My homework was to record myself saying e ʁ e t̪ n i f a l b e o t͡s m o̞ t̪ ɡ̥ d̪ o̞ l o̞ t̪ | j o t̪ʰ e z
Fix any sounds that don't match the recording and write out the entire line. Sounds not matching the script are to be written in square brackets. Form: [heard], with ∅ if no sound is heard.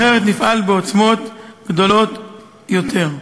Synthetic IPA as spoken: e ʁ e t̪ n i f a l b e o t͡s m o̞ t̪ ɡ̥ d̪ o̞ l o̞ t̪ | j o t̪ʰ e [ʁ]

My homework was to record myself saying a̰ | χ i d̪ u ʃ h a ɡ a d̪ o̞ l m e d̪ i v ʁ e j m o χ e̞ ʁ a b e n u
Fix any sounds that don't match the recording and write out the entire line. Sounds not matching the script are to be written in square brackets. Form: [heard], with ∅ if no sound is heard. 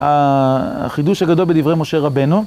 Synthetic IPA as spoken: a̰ | χ i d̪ u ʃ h a ɡ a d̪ o̞ l [b] e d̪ i v ʁ e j m o [ʃ] e̞ ʁ a b e n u

